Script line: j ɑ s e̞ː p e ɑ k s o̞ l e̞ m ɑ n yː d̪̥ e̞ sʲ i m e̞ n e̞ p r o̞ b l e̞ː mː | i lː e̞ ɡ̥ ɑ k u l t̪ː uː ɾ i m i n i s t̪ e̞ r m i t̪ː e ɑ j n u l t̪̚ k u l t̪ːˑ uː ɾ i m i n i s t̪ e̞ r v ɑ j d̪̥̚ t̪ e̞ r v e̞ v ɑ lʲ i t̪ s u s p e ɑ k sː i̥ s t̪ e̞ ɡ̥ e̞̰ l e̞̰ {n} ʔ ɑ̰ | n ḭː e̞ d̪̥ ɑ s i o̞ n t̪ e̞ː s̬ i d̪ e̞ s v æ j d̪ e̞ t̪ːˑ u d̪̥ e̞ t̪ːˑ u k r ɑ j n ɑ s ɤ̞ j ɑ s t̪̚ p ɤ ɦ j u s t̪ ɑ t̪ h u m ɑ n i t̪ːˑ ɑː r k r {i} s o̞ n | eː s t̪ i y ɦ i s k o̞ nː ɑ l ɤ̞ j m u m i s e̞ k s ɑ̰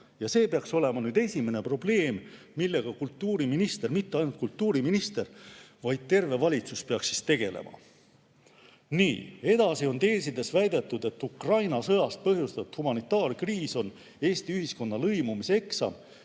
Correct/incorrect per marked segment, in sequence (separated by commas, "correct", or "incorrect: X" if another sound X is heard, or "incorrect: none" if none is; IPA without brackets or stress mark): incorrect: m, incorrect: iː